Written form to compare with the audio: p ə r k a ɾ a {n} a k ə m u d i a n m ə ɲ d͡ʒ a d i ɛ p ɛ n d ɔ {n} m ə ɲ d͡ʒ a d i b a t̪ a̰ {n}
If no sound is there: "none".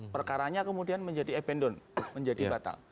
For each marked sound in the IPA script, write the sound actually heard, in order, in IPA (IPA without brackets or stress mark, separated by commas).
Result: ɲ, n, ŋ